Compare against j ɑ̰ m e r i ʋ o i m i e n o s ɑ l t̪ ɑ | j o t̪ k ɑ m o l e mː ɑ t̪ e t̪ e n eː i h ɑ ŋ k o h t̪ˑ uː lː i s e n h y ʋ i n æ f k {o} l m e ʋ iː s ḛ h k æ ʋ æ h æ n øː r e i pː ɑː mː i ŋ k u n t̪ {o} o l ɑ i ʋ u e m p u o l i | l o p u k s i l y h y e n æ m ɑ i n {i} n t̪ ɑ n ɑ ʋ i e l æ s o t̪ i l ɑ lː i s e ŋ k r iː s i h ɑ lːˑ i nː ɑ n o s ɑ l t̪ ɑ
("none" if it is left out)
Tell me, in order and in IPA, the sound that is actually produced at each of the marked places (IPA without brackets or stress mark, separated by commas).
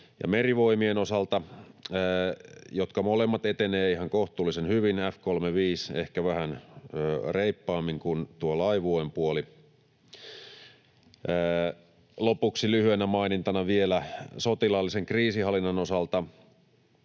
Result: o, u, i